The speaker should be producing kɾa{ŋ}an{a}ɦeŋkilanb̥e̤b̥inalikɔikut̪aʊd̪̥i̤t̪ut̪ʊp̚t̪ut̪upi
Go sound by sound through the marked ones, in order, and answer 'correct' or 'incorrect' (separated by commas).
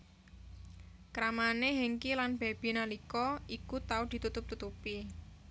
incorrect, incorrect